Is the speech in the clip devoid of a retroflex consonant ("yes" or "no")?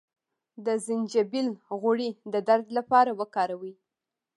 no